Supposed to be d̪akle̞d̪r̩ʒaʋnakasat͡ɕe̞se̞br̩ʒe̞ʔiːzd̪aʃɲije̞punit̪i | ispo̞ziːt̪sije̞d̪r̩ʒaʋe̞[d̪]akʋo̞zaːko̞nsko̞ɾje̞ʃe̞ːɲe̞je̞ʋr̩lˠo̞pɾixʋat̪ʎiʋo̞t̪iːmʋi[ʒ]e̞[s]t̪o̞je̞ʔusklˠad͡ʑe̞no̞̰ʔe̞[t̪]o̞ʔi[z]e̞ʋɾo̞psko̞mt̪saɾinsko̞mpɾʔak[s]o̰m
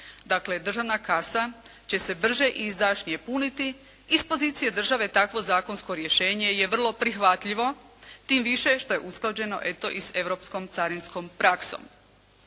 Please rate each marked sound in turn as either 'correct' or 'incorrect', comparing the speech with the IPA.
incorrect: t̪, incorrect: ʃ, incorrect: ʃ, correct, incorrect: s, correct

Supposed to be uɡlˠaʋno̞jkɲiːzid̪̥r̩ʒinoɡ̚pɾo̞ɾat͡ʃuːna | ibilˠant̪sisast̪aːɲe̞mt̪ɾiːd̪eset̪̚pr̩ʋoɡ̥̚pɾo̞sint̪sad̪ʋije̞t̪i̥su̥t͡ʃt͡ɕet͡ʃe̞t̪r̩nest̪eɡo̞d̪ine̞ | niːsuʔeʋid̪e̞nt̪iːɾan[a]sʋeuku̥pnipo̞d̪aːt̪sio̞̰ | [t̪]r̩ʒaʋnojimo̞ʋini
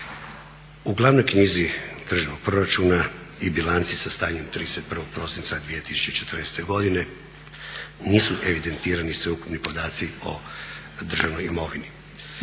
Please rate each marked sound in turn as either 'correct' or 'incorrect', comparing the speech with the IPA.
incorrect: i, incorrect: d̪

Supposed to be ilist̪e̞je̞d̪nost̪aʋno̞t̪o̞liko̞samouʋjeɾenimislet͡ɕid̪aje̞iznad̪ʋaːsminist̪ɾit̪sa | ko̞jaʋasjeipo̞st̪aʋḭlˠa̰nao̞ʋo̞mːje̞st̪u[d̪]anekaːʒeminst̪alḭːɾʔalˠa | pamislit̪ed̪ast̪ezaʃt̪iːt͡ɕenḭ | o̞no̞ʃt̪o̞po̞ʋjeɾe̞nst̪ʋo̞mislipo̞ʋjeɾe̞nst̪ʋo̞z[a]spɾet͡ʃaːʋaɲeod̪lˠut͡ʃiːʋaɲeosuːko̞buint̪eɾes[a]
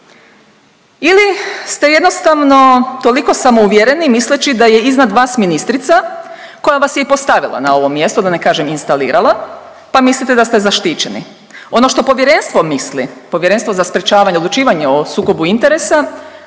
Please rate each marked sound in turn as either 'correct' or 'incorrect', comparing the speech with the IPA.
correct, correct, correct

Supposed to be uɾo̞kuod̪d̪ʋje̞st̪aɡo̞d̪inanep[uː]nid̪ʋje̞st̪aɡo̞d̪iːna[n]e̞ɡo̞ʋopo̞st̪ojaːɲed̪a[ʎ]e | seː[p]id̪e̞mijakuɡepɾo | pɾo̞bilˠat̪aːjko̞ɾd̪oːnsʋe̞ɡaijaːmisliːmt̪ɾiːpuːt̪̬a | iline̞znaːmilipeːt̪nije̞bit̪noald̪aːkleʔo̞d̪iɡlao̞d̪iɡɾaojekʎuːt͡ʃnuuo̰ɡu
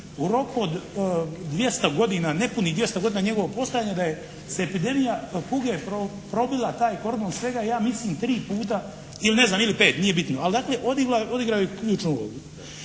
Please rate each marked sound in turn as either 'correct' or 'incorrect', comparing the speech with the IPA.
incorrect: u, incorrect: ɲ, incorrect: j, correct

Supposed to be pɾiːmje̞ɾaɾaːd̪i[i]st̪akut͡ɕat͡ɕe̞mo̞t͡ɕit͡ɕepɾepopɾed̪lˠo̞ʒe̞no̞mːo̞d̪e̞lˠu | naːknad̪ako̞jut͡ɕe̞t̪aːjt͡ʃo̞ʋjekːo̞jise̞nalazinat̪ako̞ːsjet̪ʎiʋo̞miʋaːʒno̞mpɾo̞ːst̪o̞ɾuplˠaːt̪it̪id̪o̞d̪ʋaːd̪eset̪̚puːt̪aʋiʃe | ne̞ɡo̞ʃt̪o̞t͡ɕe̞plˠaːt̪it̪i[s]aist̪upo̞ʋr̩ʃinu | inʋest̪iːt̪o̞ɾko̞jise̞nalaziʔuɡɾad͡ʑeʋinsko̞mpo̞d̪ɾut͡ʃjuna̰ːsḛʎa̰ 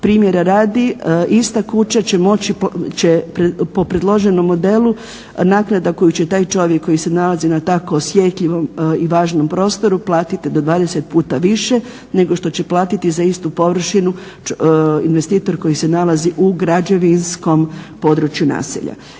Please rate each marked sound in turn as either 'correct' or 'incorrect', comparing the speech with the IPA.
correct, incorrect: z

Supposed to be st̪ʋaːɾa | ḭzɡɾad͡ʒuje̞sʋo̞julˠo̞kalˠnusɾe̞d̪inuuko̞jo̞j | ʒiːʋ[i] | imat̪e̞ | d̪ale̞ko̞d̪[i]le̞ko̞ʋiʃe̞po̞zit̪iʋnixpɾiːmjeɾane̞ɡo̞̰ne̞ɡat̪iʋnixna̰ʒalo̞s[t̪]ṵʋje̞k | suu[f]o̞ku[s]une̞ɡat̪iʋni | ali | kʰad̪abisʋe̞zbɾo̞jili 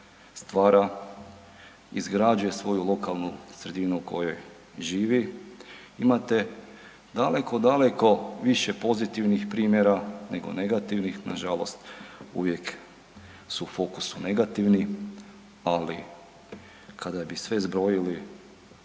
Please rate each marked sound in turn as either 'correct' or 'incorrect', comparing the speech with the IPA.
correct, incorrect: a, correct, correct, correct

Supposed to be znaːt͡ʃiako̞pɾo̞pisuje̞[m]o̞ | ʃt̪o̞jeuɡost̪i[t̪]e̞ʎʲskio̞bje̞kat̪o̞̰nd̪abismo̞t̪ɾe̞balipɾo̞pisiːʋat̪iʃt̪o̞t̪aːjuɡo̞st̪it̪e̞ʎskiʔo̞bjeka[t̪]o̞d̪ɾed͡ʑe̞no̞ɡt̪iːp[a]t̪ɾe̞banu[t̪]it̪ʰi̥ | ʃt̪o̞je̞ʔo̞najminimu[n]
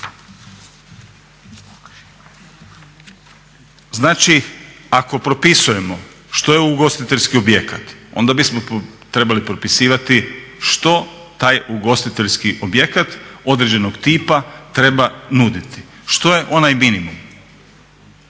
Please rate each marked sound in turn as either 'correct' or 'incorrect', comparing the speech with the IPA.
correct, correct, correct, correct, incorrect: d̪, incorrect: m

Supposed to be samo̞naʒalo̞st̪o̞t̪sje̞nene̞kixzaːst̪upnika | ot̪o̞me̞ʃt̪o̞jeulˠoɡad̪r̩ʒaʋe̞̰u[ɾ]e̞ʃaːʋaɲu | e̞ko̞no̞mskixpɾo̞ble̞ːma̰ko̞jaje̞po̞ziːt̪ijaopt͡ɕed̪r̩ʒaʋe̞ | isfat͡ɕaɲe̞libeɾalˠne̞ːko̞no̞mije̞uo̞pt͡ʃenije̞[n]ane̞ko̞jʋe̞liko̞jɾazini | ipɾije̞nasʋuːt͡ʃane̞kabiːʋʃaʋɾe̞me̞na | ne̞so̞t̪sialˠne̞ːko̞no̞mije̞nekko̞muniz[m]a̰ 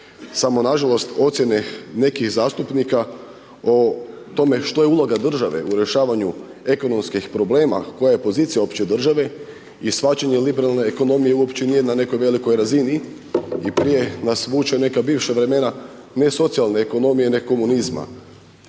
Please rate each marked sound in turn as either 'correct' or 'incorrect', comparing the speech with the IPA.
correct, correct, correct

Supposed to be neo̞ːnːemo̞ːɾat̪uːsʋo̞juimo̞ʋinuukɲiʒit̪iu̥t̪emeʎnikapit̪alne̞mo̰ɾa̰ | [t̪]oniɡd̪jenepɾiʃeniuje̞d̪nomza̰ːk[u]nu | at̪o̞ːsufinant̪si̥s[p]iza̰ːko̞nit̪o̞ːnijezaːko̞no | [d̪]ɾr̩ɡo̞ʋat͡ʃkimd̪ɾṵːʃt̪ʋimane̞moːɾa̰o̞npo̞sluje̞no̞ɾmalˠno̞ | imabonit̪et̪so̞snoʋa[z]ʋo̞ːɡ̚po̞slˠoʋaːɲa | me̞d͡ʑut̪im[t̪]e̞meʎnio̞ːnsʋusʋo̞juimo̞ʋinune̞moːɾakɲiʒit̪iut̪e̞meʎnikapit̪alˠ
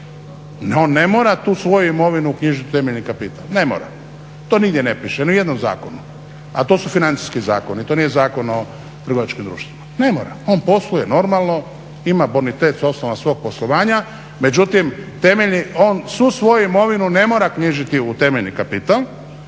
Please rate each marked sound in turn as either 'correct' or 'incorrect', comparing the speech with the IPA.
correct, incorrect: o, incorrect: k, incorrect: t̪, incorrect: s, correct

